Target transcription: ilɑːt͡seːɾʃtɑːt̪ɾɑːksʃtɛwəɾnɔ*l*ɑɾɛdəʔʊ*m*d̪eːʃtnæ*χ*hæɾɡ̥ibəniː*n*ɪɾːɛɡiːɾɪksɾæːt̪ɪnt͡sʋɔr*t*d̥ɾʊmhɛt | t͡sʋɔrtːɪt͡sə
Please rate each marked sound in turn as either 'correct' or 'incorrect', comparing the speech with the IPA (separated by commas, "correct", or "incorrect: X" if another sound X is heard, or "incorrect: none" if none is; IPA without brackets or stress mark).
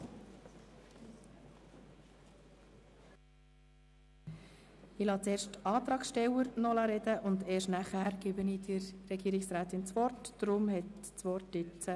correct, incorrect: n, correct, incorrect: d, correct